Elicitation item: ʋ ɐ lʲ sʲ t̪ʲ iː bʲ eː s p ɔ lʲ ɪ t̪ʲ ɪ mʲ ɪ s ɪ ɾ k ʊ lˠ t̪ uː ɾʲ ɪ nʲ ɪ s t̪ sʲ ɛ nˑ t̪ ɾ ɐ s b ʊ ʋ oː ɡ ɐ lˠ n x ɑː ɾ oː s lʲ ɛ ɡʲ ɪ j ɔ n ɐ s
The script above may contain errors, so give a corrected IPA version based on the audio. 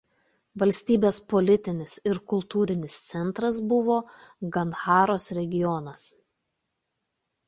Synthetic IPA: ʋ ɐ lʲ sʲ t̪ʲ iː bʲ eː s p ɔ lʲ ɪ t̪ʲ ɪ nʲ ɪ s ɪ ɾ k ʊ lˠ t̪ uː ɾʲ ɪ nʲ ɪ s t̪ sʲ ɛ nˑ t̪ ɾ ɐ s b ʊ ʋ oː ɡ ɐ n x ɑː ɾ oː s ɾʲ ɛ ɡʲ ɪ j ɔ n ɐ s